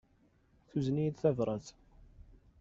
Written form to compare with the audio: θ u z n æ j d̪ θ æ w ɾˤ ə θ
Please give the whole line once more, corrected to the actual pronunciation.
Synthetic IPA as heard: θ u z n i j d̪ θ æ v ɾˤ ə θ